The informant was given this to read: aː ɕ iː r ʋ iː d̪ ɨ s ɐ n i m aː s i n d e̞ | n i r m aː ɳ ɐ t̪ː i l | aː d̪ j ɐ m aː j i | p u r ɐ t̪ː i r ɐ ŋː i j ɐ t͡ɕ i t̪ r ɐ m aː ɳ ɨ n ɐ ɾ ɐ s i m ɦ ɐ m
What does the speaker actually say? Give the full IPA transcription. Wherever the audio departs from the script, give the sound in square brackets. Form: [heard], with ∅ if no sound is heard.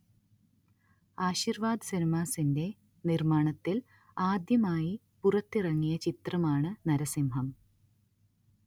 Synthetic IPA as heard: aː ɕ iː r ʋ [aː] d̪ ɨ s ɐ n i m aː s i n d e̞ | n i r m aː ɳ ɐ t̪ː i l | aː d̪ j ɐ m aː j i | p u r ɐ t̪ː i r ɐ ŋː i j ɐ t͡ɕ i t̪ r ɐ m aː ɳ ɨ n ɐ ɾ ɐ s i m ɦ ɐ m